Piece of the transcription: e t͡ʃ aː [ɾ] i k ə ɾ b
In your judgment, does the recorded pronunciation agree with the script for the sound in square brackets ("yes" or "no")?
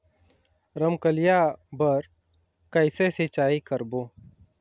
no